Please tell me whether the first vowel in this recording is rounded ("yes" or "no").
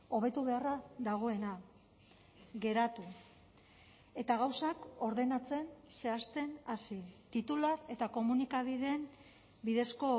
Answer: yes